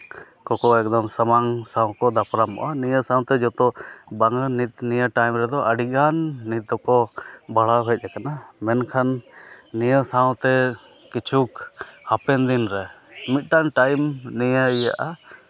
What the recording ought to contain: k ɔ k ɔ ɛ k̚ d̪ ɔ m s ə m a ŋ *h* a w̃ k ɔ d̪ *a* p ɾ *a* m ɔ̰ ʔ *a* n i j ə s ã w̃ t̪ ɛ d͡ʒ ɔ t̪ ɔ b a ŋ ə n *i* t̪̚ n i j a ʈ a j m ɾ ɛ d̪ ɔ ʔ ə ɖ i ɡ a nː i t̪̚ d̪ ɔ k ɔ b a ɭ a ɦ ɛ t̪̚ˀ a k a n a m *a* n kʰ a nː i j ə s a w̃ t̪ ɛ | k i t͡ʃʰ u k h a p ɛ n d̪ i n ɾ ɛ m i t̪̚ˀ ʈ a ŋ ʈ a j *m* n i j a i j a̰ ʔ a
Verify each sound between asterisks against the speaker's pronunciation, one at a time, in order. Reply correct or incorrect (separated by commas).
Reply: incorrect, correct, correct, correct, correct, incorrect, correct